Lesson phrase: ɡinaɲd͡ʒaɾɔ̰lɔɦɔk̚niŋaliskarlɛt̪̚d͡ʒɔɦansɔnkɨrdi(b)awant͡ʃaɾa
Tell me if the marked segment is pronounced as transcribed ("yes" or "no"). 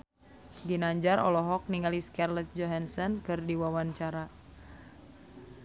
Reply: no